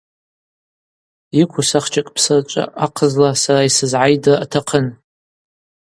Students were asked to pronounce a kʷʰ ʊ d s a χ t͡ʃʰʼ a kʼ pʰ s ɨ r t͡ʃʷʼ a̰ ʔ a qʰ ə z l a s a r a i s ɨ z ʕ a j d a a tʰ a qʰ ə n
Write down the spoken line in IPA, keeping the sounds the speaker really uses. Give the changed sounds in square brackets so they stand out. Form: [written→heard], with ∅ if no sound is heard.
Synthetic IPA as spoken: [a→i] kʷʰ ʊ [d→∅] s a χ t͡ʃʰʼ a kʼ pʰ s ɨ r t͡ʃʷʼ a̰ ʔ a qʰ ə z l a s a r a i s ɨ z ʕ a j d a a tʰ a qʰ ə n